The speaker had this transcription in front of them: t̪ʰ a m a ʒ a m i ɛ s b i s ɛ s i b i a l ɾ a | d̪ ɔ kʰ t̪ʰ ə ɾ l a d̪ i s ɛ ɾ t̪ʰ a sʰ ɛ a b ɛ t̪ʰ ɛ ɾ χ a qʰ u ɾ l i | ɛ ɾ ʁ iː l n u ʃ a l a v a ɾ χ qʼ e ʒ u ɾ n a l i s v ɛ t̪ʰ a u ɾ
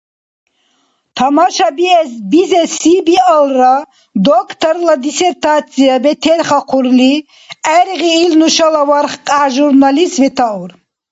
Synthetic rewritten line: t̪ʰ a m a ʃ a b i ɛ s b i z ɛ s i b i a l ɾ a | d̪ ɔ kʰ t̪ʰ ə ɾ l a d̪ i s ɛ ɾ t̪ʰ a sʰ i a b ɛ t̪ʰ ɛ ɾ χ a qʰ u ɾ l i | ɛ ɾ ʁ iː l n u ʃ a l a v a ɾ χ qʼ a ʒ u ɾ n a l i s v ɛ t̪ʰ a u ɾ